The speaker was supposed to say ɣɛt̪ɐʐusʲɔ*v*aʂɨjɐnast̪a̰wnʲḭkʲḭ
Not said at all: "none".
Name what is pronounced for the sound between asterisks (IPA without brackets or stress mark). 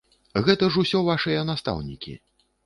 v